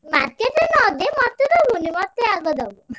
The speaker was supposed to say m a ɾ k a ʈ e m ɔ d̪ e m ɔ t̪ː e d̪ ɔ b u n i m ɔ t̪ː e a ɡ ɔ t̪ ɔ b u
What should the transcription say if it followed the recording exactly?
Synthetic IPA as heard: m a ɾ k e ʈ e n ɔ d̪ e m ɔ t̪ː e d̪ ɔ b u n i m ɔ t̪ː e a ɡ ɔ d̪ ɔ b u

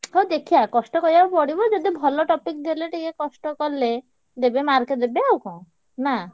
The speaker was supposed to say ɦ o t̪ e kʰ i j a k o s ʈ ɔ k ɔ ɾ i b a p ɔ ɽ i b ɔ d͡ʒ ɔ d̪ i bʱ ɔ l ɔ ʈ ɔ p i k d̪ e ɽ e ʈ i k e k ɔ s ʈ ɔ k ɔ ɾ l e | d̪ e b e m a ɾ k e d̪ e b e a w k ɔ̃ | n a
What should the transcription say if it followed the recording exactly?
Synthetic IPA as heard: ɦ o d̪ e kʰ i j a k ɔ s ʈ ɔ k ɔ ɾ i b a p ɔ ɽ i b ɔ d͡ʒ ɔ d̪ i bʱ ɔ l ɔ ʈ ɔ p i k d̪ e l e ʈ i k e k ɔ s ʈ ɔ k ɔ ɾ l e | d̪ e b e m a ɾ k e d̪ e b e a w k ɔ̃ | n a

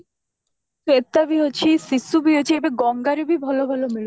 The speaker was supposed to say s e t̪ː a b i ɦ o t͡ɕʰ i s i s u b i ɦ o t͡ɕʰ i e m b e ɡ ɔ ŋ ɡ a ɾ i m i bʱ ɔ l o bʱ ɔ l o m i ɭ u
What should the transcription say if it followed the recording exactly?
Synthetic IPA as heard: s e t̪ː a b i ɦ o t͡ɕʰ i s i s u b i ɦ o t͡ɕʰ i e b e ɡ ɔ ŋ ɡ a ɾ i b i bʱ ɔ l o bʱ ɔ l o m i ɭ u

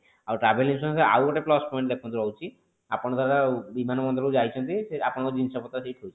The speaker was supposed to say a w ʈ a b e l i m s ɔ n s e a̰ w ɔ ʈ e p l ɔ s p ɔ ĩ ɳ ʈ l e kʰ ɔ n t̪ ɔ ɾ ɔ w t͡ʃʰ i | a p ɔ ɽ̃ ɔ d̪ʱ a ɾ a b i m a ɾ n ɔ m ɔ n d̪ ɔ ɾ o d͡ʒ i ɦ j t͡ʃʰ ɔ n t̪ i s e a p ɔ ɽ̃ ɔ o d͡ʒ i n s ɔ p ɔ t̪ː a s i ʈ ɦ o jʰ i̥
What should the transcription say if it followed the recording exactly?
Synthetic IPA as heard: a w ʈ a b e l i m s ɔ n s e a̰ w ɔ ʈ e p l ɔ s p ɔ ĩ ɳ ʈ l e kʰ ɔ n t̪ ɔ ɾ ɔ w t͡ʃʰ i | a p ɔ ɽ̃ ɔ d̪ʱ a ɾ a b i m a n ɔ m ɔ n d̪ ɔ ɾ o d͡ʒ a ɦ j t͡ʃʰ ɔ n t̪ i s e a p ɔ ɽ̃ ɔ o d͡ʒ i n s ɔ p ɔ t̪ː a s i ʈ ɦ o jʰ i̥

